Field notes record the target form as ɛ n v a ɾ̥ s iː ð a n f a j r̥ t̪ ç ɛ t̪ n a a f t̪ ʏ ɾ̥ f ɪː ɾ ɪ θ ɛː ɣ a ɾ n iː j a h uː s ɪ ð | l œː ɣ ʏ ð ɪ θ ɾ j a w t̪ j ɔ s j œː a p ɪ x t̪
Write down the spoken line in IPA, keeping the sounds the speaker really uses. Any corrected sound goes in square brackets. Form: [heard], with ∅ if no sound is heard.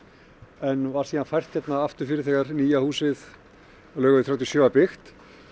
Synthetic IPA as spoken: ɛ n v a ɾ̥ s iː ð a n f a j r̥ t̪ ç ɛ t̪ n a a f t̪ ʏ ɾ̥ f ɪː ɾ ɪ θ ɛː ɣ a ɾ n iː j a h uː s ɪ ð | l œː ɣ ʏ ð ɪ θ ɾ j a w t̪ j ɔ s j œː a p ɪ x t̪